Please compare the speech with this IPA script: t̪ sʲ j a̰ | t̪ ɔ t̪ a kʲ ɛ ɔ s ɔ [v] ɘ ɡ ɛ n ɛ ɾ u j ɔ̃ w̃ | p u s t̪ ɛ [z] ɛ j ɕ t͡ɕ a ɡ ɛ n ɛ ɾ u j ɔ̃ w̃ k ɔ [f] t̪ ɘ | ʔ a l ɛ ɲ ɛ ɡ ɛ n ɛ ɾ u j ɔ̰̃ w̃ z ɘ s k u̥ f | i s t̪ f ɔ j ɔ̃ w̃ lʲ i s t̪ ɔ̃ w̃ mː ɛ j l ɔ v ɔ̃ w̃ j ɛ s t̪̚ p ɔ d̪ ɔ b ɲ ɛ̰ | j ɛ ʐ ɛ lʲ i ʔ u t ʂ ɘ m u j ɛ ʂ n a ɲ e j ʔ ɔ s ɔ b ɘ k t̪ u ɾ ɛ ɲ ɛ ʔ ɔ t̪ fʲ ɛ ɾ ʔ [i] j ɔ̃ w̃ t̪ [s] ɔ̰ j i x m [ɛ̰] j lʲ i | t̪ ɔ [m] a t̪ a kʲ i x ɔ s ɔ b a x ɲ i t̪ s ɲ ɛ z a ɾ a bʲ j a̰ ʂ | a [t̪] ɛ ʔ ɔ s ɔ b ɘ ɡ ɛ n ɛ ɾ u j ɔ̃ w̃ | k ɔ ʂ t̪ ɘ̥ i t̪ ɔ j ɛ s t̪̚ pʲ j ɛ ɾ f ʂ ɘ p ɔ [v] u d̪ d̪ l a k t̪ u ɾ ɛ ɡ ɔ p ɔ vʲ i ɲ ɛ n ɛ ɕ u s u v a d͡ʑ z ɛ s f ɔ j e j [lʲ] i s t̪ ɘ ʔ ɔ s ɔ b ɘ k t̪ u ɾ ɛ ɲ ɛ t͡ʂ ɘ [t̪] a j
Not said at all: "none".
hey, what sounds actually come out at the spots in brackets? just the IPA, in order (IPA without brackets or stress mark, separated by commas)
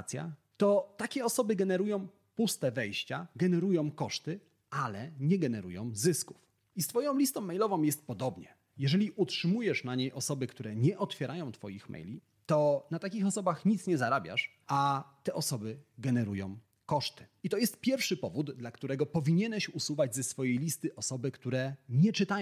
b, v, ʂ, a, f, ɛ̰, n, t̪, v, lʲ, t̪